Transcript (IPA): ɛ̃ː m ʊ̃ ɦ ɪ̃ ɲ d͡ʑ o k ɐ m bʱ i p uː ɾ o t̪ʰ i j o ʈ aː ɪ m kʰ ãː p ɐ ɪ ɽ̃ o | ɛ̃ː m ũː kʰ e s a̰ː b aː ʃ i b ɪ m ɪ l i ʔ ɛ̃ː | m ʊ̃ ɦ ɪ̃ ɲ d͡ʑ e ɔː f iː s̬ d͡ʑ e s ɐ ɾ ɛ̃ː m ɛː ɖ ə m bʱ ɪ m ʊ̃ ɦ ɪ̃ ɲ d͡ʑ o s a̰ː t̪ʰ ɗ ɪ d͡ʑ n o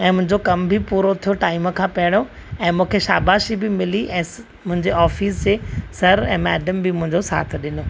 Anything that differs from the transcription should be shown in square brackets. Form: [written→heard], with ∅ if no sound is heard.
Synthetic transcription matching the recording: ɛ̃ː m ʊ̃ ɦ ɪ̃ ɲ d͡ʑ o k ɐ m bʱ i p uː ɾ o t̪ʰ i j o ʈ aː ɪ m kʰ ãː p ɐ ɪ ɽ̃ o | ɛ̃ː m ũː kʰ e [s→ʃ] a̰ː b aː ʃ i b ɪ m ɪ l i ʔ ɛ̃ː | m ʊ̃ ɦ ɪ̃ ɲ d͡ʑ e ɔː f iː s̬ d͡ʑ e s ɐ ɾ ɛ̃ː m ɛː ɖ ə m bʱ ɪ m ʊ̃ ɦ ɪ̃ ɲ d͡ʑ o s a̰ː t̪ʰ ɗ ɪ [d͡ʑ→∅] n o